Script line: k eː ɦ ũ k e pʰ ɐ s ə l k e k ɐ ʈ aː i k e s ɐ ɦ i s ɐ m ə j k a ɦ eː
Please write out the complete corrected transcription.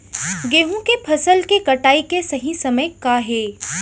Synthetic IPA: ɡ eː ɦ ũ k e pʰ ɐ s ə l k e k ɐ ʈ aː i k e s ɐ ɦ i s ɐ m ə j k a ɦ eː